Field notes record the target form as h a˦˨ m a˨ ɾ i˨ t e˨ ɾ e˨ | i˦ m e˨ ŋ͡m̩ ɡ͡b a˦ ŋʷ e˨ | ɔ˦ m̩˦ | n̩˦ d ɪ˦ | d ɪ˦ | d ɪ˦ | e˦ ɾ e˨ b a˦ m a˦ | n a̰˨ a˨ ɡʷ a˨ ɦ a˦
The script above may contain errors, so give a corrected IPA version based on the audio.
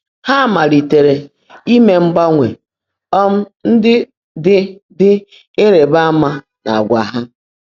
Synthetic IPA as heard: h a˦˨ m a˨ ɾ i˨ t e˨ ɾ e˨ | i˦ m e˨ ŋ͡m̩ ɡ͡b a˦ ŋʷ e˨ | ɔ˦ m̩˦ | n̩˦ d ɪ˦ | d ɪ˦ | d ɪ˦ | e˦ ɾ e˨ b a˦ m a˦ | n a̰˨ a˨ ɡʷ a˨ ɦ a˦

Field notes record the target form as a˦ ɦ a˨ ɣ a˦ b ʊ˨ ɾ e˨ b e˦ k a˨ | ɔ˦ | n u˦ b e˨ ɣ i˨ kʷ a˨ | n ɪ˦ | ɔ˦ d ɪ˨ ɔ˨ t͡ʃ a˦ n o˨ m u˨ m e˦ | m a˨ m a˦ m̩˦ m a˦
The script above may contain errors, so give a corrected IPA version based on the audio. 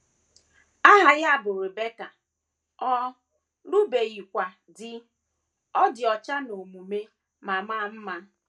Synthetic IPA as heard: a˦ ɦ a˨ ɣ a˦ b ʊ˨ ɾ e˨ b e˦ k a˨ | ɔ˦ | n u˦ b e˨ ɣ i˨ kʷ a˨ | d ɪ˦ | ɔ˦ d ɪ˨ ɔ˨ t͡ʃ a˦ n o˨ m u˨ m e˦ | m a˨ m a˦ m̩˦ m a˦

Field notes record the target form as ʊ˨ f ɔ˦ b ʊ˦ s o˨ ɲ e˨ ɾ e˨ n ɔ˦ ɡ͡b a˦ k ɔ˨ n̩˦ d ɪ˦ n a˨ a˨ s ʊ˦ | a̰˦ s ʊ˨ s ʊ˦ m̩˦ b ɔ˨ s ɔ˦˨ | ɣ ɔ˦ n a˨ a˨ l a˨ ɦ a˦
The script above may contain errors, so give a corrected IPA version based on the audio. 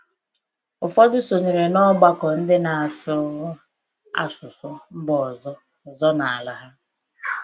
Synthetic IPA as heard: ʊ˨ f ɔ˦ d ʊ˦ s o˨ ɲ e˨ ɾ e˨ n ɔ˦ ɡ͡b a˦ k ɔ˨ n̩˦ d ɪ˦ n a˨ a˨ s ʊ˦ | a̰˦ s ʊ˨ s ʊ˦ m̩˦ b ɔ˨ z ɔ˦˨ | z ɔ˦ n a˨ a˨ l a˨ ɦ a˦

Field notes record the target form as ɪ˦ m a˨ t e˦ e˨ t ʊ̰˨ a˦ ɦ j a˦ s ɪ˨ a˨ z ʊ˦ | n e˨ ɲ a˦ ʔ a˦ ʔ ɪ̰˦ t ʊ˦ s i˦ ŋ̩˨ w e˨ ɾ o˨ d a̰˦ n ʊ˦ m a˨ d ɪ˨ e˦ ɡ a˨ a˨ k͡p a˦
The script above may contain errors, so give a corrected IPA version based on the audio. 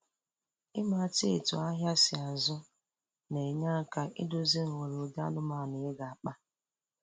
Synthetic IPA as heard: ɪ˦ m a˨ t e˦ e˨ t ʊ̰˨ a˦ ɦ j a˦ s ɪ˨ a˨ z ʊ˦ | n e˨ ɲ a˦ k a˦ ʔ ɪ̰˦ d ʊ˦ z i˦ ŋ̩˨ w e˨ ɾ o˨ d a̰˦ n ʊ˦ m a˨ n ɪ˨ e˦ ɡ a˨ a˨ k͡p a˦

